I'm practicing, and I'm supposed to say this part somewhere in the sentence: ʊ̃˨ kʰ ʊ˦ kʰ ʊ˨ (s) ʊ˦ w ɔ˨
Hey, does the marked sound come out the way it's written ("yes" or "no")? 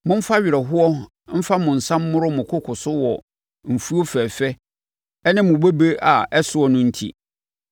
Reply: yes